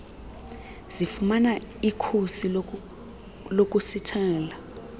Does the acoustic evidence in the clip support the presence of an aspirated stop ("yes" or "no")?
yes